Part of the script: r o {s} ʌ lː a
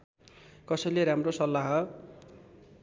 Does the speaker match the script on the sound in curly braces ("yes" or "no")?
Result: yes